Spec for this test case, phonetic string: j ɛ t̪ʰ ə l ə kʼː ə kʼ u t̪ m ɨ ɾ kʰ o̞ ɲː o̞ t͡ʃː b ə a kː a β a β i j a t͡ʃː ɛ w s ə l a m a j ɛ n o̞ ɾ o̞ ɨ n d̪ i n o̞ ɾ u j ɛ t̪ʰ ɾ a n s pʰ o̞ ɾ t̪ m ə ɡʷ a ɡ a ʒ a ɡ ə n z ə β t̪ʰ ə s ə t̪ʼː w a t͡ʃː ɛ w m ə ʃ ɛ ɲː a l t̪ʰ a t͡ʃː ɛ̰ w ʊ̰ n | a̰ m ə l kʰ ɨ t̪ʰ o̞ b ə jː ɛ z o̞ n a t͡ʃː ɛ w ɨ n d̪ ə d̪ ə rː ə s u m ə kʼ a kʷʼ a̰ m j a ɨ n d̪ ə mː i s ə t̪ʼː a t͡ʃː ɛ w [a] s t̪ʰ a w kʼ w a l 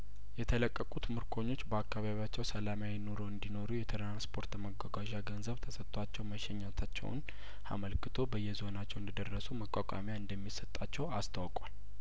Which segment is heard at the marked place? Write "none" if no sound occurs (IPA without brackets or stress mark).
a